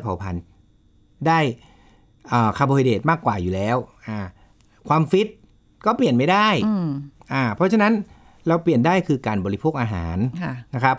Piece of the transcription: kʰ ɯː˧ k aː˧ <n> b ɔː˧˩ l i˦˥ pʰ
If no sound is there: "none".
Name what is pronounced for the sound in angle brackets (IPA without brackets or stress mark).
n